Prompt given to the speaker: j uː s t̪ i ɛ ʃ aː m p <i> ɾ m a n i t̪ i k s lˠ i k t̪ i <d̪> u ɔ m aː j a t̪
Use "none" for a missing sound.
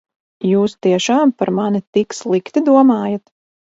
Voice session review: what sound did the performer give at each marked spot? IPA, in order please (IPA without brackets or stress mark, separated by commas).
a, d̪